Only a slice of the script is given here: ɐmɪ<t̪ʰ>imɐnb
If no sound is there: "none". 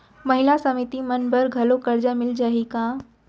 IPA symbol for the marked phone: t̪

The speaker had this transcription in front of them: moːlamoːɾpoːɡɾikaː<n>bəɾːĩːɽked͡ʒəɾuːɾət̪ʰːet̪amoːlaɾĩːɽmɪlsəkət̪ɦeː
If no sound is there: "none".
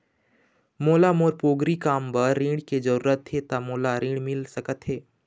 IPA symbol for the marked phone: m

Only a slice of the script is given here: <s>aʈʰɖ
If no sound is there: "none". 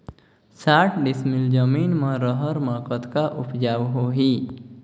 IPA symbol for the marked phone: s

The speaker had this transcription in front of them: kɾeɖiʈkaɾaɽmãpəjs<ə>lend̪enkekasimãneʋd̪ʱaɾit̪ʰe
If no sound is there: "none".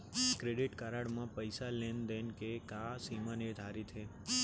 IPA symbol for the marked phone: a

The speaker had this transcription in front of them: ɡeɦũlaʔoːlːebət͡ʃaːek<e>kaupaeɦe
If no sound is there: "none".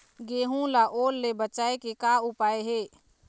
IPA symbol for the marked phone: e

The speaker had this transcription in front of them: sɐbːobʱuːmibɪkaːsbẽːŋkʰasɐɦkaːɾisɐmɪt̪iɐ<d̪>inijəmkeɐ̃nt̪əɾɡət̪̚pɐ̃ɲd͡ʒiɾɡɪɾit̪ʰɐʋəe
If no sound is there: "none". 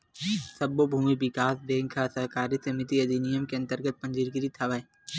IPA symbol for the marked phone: d̪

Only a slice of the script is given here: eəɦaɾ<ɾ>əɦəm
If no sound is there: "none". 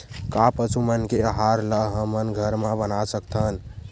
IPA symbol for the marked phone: l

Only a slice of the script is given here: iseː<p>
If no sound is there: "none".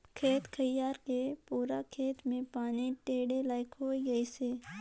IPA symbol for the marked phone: none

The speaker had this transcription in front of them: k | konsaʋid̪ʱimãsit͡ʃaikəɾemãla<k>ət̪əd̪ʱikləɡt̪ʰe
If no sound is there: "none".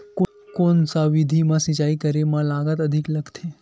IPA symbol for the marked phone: ɡ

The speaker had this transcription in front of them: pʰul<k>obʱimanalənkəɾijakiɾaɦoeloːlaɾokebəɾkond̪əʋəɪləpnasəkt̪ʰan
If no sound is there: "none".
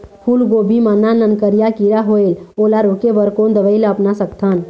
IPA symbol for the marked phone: ɡ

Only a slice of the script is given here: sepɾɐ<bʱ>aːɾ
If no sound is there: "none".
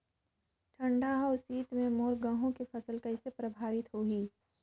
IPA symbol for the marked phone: bʱ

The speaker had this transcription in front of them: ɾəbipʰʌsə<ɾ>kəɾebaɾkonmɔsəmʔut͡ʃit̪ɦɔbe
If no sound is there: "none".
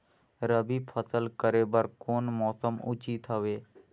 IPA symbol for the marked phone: l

